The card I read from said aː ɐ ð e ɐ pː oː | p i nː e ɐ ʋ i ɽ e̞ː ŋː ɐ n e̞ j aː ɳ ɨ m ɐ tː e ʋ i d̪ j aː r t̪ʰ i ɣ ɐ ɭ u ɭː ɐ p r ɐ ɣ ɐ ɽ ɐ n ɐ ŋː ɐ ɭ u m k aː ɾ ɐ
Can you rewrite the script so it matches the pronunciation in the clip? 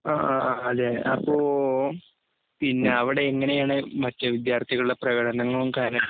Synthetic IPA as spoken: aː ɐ ð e ɐ pː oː | p i nː e ɐ ʋ i ɽ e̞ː ŋː ɐ n e̞ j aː ɳ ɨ m ɐ tː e ʋ i d̪ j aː r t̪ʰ i ɣ ɐ ɭ u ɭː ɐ p r ɐ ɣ ɐ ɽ ɐ n ɐ ŋː ɐ ɭ u m k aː ɾ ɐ